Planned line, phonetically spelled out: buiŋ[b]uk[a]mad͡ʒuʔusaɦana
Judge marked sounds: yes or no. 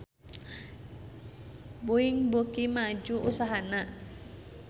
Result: yes, no

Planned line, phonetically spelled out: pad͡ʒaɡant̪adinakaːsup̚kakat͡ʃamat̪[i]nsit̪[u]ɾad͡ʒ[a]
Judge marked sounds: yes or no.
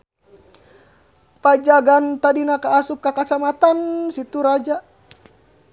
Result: no, yes, yes

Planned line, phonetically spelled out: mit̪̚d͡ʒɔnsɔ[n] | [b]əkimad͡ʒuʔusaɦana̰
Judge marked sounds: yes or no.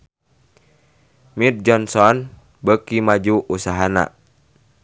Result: yes, yes

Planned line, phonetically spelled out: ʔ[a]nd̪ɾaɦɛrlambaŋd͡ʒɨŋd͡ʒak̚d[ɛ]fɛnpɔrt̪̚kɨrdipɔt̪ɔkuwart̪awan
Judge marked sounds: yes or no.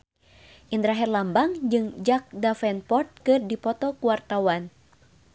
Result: no, no

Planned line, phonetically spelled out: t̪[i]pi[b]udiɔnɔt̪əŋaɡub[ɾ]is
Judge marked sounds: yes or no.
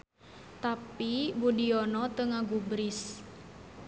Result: no, yes, yes

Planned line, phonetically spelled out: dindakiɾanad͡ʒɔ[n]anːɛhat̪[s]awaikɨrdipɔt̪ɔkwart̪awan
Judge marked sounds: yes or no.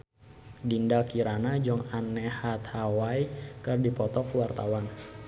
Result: no, no

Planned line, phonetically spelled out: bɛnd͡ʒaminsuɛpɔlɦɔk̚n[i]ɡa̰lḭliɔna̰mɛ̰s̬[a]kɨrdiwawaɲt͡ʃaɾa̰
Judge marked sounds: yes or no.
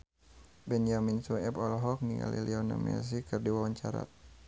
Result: yes, no

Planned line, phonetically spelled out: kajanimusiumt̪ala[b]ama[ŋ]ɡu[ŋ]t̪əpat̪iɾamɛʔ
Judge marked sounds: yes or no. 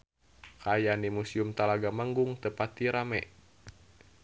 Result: no, yes, yes

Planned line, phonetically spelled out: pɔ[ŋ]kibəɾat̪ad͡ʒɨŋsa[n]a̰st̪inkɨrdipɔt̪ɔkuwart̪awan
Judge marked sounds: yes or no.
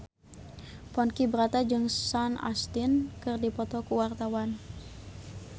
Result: no, yes

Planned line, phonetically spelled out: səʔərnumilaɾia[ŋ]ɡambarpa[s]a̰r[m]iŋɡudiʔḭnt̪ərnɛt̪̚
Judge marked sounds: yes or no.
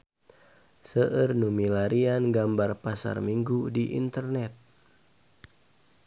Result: no, yes, yes

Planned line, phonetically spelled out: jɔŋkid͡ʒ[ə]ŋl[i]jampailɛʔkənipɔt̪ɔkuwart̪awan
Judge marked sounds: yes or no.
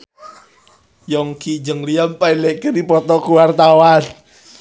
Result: yes, yes

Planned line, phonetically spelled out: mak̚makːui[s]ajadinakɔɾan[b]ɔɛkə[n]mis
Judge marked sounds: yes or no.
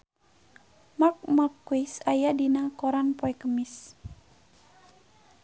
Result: yes, no, no

